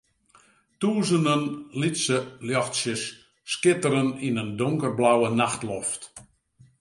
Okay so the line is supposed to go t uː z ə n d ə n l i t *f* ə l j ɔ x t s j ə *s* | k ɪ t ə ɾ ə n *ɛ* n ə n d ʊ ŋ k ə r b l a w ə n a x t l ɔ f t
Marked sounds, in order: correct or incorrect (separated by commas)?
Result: incorrect, incorrect, incorrect